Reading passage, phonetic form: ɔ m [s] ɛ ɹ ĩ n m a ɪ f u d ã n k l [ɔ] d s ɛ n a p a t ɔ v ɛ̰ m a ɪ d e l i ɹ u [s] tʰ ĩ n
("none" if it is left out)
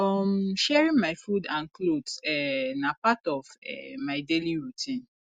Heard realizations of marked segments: ʃ, o, none

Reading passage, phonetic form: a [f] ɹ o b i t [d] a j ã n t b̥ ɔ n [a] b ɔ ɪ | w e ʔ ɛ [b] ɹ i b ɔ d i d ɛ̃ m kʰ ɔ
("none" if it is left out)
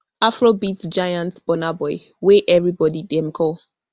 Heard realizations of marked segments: f, d͡ʒ, a, v

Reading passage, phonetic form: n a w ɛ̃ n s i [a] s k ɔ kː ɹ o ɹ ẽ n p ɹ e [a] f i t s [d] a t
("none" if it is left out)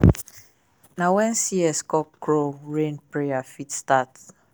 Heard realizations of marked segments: ɛ, a, t

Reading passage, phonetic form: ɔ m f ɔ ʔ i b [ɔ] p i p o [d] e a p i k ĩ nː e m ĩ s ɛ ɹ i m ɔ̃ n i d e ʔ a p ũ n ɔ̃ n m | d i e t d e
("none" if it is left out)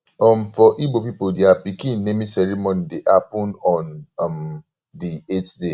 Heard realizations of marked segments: o, d

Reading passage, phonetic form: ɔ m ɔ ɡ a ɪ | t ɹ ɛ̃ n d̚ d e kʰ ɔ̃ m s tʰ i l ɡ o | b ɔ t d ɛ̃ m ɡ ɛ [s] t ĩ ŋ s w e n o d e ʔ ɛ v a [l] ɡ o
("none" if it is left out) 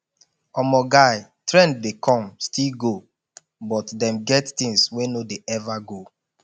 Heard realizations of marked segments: t, none

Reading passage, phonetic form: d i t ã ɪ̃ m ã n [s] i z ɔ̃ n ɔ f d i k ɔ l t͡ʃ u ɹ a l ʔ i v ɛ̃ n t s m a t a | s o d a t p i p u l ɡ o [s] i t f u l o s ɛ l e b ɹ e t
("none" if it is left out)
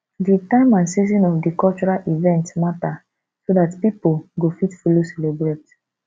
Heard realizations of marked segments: s, f

